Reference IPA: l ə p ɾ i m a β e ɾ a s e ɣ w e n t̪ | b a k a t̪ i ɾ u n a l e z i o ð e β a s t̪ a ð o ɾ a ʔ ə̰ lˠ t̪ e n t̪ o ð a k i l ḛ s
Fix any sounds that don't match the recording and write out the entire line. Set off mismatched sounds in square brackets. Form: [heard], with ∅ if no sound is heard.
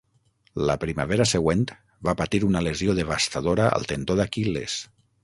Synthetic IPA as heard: l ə p ɾ i m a β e ɾ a s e ɣ w e n t̪ | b a [p] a t̪ i ɾ u n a l e z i o ð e β a s t̪ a ð o ɾ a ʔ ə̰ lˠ t̪ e n t̪ o ð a k i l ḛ s

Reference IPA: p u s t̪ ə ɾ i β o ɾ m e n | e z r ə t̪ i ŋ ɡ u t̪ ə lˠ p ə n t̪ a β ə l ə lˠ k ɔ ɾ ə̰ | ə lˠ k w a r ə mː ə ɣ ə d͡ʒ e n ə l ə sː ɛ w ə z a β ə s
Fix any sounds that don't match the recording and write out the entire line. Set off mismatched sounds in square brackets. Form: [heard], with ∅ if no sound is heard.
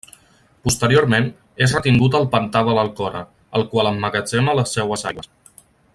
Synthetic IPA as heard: p u s t̪ ə ɾ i [∅] o ɾ m e n | e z r ə t̪ i ŋ ɡ u t̪ ə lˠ p ə n t̪ a β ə l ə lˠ k ɔ ɾ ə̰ | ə lˠ k w a [l] ə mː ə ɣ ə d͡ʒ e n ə l ə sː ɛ w ə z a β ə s

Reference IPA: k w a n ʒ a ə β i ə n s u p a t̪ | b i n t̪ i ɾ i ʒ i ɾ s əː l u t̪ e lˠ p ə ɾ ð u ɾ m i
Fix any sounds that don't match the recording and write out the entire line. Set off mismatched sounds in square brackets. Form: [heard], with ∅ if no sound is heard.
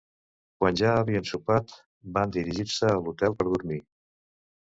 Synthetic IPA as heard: k w a n ʒ a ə β i ə n s u p a t̪ | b [a] n [d̪] i ɾ i ʒ i ɾ s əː l u t̪ [ɛ] lˠ p ə ɾ ð u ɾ m i

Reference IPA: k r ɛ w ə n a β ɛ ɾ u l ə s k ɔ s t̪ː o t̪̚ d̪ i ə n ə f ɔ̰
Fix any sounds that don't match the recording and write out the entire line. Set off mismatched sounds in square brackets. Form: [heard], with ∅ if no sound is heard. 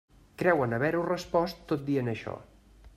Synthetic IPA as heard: k [ɾ] ɛ w ə n [ə] β ɛ ɾ u [r] ə s [p] ɔ s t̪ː o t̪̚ d̪ i ə n ə [ʃ] ɔ̰

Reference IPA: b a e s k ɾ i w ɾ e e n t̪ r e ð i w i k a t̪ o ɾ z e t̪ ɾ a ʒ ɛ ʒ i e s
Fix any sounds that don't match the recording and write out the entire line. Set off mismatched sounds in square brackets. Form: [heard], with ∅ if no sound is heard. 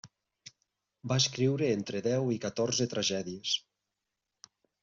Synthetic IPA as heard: b a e s k ɾ i w ɾ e e n t̪ [ɾ] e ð [ɛ] w i k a t̪ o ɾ z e t̪ ɾ a ʒ ɛ [ð] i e s

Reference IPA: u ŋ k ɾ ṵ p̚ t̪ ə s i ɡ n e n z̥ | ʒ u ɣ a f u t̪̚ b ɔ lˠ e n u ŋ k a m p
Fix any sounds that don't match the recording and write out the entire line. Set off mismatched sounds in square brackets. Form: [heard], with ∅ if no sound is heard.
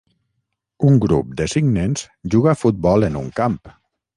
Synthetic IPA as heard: u ŋ [ɡ] ɾ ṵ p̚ [d̪] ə s i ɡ n e n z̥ | ʒ u ɣ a f u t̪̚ b ɔ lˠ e n u ŋ k a m p

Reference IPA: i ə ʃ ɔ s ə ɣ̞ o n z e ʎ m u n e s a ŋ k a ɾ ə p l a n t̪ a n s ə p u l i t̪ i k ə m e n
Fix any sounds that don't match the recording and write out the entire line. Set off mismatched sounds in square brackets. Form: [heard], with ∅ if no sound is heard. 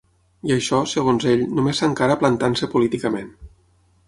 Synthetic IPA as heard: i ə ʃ ɔ s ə ɣ̞ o n z e ʎ [n] u [m] e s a ŋ k a ɾ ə p l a n t̪ a n s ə p u l i t̪ i k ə m e n

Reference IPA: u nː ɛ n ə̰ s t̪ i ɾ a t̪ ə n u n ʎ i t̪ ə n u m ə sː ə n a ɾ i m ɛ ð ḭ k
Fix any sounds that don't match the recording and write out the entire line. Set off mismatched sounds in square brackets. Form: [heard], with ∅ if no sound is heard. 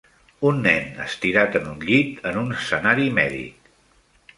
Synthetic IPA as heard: u nː ɛ n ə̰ s t̪ i ɾ a t̪ ə n u n ʎ i t̪ ə n u [n] ə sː ə n a ɾ i m ɛ ð ḭ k

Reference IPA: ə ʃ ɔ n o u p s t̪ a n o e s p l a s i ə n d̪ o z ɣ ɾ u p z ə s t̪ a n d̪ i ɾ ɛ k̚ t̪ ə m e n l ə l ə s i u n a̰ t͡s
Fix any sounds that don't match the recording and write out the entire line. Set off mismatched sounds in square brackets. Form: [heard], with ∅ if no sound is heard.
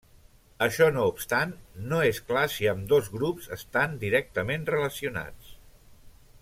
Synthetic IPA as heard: ə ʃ ɔ n o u p s t̪ a [nː] o e s [k] l a s i ə [m] d̪ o z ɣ ɾ u p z ə s t̪ a n d̪ i ɾ ɛ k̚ t̪ ə m e n [r] ə l ə s i u n a̰ t͡s

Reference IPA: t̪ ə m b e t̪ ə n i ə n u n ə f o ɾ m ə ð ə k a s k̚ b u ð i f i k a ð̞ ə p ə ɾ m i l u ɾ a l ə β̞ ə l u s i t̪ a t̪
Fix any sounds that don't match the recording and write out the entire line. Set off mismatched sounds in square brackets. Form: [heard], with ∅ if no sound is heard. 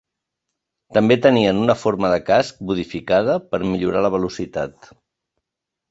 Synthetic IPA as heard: t̪ ə m b e t̪ ə n i ə n u n ə f o ɾ m ə ð ə k a s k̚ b u ð i f i k a ð̞ ə p ə ɾ m i [ʎ] u ɾ a l ə β̞ ə l u s i t̪ a t̪

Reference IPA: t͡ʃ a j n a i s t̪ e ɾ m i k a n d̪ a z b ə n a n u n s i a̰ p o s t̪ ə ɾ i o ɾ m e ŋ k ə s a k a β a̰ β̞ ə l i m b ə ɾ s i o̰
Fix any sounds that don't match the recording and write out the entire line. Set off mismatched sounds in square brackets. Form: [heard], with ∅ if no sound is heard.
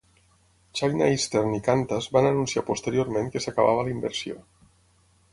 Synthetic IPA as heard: t͡ʃ a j n a i s t̪ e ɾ [n] i k a n [t̪] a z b [a] n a n u n s i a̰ p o s t̪ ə ɾ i o ɾ m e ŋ k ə s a k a β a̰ β̞ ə l i m b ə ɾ s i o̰

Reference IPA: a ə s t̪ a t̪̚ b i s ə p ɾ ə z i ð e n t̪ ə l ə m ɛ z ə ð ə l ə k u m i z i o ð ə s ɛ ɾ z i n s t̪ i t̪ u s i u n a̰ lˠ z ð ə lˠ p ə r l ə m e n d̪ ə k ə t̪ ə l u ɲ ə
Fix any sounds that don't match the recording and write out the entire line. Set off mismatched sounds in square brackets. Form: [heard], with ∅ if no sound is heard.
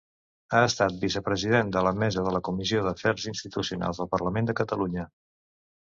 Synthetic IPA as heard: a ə s t̪ a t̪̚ b i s ə p ɾ ə z i ð e n [d̪] ə l ə m ɛ z ə ð ə l ə k u m i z i o ð ə [f] ɛ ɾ z i n s t̪ i t̪ u s i u n a̰ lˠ z ð ə lˠ p ə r l ə m e n d̪ ə k ə t̪ ə l u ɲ ə

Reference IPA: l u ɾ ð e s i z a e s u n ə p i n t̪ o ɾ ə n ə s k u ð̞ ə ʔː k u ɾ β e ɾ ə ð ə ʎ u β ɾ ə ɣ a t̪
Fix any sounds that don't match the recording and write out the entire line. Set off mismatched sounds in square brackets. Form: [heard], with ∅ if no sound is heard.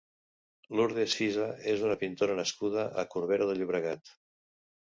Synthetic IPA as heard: l u ɾ ð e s i z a e [z] u n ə p i n t̪ o ɾ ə n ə s k u ð̞ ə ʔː k u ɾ β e ɾ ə ð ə ʎ u β ɾ ə ɣ a t̪

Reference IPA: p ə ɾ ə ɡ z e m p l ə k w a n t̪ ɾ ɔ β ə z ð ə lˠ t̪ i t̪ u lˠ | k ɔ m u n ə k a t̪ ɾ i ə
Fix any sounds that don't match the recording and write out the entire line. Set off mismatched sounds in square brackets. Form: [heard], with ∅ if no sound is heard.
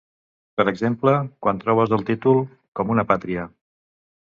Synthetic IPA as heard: p ə ɾ ə ɡ z e m p l ə k w a n t̪ ɾ ɔ β ə z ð ə lˠ t̪ i t̪ u lˠ | k ɔ m u n ə [p] a t̪ ɾ i ə

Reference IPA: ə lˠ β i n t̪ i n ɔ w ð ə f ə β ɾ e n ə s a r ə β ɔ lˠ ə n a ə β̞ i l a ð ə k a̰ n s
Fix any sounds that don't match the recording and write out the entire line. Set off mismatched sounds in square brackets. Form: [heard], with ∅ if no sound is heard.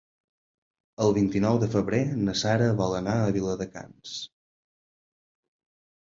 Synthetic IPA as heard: ə lˠ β i n t̪ i n ɔ w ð ə f ə β ɾ e n ə s a [ɾ] ə β ɔ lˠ ə n a ə β̞ i l [ə] ð ə k a̰ n s

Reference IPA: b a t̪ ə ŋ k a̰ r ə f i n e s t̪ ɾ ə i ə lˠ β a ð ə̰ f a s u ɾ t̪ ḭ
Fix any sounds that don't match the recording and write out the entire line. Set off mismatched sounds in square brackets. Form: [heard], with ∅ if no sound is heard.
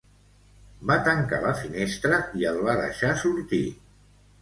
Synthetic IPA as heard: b a t̪ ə ŋ k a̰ [l] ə f i n e s t̪ ɾ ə i ə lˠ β a ð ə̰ [ʃ] a s u ɾ t̪ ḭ

